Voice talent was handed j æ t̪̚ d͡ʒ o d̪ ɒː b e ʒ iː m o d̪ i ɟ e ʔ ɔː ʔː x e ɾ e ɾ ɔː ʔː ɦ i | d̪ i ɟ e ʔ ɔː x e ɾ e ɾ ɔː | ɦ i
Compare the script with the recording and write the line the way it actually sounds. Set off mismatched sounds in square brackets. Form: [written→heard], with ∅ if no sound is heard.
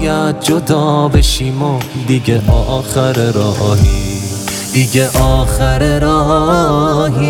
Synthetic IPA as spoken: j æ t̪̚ d͡ʒ o d̪ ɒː b e [ʒ→ʃ] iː m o d̪ i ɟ e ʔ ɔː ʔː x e ɾ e ɾ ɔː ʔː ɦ i | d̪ i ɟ e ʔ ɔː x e ɾ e ɾ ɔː | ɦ i